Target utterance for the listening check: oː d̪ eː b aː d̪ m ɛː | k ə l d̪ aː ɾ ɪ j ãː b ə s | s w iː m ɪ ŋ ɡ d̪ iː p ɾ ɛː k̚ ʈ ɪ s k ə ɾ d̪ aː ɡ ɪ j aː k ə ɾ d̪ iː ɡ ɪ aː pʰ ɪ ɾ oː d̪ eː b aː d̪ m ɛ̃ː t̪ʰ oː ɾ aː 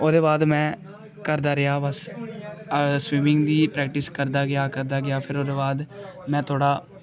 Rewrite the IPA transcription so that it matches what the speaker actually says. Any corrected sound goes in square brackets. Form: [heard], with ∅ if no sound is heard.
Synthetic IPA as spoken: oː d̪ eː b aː d̪ m [ɛ̃ː] | k ə [ɾ] d̪ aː ɾ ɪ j [aː] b ə s | s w iː m ɪ ŋ ɡ d̪ iː p ɾ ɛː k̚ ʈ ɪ s k ə ɾ d̪ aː ɡ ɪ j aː k ə ɾ d̪ [aː] ɡ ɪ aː pʰ ɪ ɾ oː d̪ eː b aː d̪ m ɛ̃ː t̪ʰ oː [ɽ] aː